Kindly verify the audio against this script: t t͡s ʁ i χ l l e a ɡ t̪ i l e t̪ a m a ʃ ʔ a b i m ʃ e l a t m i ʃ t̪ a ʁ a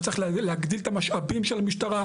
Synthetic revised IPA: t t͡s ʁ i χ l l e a ɡ d̪ i l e t̪ a m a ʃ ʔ a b i m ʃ e l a m i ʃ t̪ a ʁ a

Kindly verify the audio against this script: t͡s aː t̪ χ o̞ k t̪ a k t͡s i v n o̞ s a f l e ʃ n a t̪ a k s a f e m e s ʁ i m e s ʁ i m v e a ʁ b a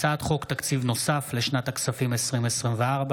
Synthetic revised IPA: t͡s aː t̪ χ o̞ k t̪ a k t͡s i v n o̞ s a f l e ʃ n a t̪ a k s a f i m e s ʁ i m e s ʁ i m v e a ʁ b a

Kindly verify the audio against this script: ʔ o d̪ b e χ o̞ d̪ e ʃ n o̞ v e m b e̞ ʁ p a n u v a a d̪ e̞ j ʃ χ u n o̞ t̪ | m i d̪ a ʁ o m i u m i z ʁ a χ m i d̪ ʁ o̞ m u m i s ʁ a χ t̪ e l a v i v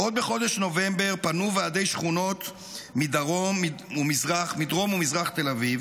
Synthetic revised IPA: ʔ o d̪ b e χ o̞ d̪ e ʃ n o̞ v e m b e̞ ʁ p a n u v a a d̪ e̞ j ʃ χ u n o̞ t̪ | m i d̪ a ʁ o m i u m i z ʁ a χ m i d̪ ʁ o̞ m u m i z ʁ a χ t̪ e l a v i v

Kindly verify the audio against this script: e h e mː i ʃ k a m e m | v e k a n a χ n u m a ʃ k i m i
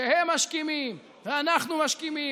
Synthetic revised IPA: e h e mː a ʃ k i m i m | v e a n a χ n u m a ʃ k i m i

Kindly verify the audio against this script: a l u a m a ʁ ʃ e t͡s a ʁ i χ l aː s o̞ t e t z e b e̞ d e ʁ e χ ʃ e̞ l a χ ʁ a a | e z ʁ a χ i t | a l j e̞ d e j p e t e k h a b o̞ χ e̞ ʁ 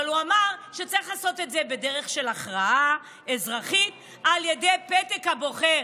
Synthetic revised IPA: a l u a m a ʁ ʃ e t͡s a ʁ i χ l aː s o̞ t e t z e b e̞ d e ʁ e χ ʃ e̞ l a χ ʁ a a | e z ʁ a χ i t | a l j e̞ d e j p e t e k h a b o̞ χ e̞ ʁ

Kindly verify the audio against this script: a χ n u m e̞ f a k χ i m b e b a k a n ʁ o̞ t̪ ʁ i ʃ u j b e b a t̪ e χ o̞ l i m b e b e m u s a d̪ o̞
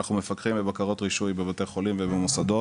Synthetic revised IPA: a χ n u m e̞ f a k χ i m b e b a k a ʁ o̞ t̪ ʁ i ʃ u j b e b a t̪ e χ o̞ l i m v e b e m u s a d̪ o̞

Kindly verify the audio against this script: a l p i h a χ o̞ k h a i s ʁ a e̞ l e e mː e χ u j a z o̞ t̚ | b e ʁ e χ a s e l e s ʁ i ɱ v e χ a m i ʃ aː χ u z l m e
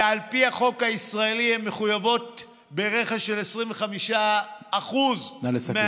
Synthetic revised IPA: a l p i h a χ o̞ k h a i s ʁ a e̞ l i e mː e χ u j a v o̞ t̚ | b e ʁ e χ a ʃ e l e s ʁ i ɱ v e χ a m i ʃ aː χ u z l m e

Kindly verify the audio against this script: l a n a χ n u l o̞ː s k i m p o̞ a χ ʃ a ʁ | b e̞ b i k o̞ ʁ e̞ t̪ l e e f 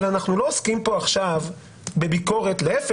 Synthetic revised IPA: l a n a χ n u l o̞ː s k i m p o̞ a χ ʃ a v | b e̞ b i k o̞ ʁ e̞ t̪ l e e f

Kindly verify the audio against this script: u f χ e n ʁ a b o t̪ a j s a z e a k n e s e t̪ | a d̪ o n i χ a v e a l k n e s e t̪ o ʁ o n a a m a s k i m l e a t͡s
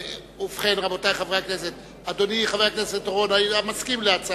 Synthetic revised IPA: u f χ e n ʁ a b o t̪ a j χ a v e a k n e s e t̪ | a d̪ o n i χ a v e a k n e s e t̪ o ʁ o n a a m a s k i m l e a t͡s

